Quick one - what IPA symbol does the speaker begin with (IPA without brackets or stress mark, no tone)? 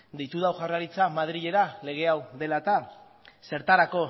d̪